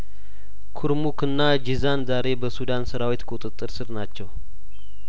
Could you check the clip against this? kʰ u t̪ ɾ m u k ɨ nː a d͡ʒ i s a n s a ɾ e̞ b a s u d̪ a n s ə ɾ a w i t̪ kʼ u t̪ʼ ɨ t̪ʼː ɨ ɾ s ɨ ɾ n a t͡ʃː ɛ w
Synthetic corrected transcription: kʰ u ɾ m u k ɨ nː a d͡ʒ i z a n z a ɾ e̞ b ə s u d̪ a n s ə ɾ a w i t̪ kʼ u t̪ʼ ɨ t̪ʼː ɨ ɾ s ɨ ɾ n a t͡ʃː ɛ w